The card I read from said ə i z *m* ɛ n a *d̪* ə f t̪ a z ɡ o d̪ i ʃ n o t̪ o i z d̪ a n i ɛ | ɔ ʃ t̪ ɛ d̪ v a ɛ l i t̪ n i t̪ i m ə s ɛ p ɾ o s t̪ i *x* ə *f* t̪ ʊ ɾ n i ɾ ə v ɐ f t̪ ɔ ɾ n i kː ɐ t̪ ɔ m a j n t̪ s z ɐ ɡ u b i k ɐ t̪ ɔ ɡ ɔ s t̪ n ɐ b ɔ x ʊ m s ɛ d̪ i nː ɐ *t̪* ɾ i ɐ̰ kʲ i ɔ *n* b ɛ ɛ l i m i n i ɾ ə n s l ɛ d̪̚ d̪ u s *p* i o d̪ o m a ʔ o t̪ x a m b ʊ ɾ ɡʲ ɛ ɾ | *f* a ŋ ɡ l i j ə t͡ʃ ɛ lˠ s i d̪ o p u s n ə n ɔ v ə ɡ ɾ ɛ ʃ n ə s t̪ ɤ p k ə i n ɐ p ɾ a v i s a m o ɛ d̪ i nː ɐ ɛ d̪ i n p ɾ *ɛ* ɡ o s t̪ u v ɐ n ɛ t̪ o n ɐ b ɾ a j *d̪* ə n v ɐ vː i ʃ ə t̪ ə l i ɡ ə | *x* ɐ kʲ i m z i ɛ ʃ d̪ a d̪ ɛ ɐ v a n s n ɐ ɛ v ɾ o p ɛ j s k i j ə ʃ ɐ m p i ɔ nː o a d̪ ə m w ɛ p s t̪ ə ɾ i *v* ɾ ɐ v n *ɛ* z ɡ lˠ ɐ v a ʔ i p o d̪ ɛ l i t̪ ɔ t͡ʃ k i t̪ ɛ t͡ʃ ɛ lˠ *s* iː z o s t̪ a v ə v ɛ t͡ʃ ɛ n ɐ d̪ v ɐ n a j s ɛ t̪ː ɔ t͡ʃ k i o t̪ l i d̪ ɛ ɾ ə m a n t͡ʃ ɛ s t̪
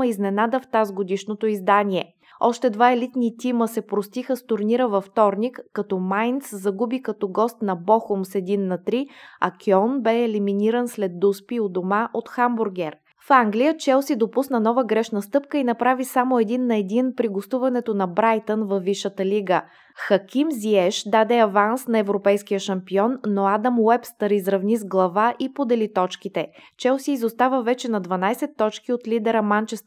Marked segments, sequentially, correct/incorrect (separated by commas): incorrect, correct, correct, incorrect, correct, correct, correct, correct, incorrect, incorrect, correct, incorrect, incorrect, correct